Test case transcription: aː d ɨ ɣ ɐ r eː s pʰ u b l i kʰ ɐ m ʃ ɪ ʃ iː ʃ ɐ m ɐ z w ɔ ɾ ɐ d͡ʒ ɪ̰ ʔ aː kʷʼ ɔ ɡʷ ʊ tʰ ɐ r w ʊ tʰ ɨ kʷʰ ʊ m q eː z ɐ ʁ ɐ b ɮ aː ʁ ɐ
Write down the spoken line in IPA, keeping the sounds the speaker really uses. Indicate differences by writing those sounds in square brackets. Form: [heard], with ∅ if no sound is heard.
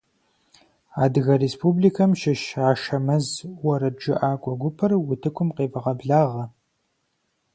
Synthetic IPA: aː d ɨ ɣ ɐ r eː s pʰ u b l i kʰ ɐ m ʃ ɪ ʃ [aː] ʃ ɐ m ɐ z w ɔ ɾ ɐ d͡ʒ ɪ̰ ʔ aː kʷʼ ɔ ɡʷ ʊ [pʰ] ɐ r w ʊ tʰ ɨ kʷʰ ʊ m q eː [v] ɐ ʁ ɐ b ɮ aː ʁ ɐ